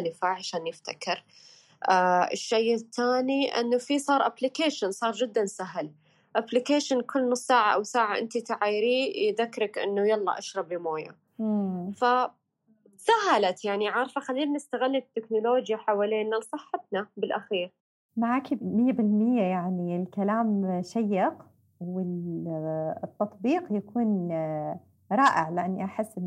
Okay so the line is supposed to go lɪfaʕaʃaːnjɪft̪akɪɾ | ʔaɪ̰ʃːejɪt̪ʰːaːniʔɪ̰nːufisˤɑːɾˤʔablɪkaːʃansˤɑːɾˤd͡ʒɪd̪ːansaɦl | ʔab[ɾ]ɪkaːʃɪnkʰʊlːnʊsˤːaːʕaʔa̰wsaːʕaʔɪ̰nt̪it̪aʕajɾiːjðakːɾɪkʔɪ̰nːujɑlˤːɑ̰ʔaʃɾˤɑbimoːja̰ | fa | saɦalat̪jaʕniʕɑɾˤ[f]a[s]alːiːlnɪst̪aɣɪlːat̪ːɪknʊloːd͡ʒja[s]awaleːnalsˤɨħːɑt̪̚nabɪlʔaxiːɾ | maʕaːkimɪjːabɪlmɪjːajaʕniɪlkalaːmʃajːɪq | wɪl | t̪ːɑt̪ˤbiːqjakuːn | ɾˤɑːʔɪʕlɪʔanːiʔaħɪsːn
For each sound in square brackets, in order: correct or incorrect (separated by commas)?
incorrect, correct, incorrect, incorrect